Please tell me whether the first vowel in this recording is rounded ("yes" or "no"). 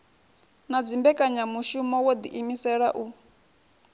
no